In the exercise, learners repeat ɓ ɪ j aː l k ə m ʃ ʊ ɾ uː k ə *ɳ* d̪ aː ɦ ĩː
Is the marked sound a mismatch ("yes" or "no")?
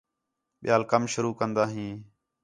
yes